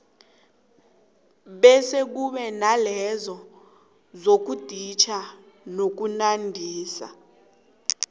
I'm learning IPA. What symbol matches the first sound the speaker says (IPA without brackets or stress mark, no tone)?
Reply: ɓ